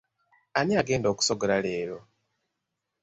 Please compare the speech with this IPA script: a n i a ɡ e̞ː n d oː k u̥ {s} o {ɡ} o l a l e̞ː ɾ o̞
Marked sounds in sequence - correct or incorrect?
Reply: correct, correct

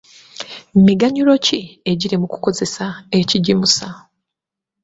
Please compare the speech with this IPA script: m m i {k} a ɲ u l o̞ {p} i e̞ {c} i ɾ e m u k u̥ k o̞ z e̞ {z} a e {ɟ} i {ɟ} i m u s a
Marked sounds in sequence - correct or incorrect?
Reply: incorrect, incorrect, incorrect, incorrect, incorrect, correct

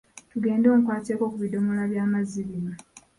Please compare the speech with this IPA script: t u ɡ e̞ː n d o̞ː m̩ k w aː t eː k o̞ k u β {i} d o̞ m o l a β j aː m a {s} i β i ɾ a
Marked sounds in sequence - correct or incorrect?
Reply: correct, incorrect

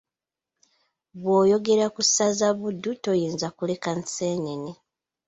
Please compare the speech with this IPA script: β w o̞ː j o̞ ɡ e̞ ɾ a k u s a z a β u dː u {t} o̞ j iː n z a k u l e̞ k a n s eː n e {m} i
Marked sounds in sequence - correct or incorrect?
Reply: correct, incorrect

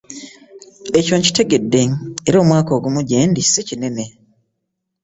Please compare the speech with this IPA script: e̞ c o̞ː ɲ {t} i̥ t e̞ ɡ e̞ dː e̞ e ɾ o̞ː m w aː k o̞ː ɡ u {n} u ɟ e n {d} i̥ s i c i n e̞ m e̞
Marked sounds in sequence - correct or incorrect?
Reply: incorrect, incorrect, correct

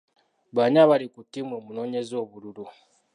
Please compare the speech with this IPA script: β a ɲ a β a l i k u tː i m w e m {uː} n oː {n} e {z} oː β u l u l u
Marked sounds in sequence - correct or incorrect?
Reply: incorrect, incorrect, correct

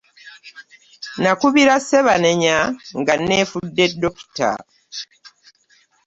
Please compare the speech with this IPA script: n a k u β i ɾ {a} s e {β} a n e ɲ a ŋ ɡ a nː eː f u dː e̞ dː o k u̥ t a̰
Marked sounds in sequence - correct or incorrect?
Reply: correct, correct

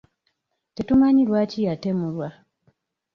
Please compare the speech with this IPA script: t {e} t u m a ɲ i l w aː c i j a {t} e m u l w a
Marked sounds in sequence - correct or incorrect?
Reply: correct, correct

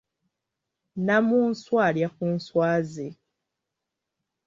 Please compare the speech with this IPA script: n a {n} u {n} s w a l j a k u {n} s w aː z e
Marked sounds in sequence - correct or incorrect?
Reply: incorrect, correct, correct

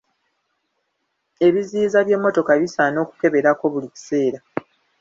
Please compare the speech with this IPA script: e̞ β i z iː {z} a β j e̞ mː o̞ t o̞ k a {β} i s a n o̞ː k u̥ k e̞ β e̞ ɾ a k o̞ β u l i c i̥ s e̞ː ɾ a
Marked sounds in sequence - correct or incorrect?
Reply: correct, correct

